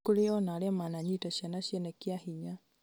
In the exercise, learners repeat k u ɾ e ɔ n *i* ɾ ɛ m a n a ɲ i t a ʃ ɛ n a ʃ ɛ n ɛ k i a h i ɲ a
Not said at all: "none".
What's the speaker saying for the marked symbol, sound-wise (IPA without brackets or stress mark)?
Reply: a